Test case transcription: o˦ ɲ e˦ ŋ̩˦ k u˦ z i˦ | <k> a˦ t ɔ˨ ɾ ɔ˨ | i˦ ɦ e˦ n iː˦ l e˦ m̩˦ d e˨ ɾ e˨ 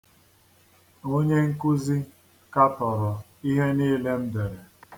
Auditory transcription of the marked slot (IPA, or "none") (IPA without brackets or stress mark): k